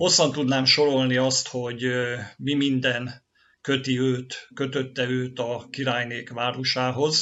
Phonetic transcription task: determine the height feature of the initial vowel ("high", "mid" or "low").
mid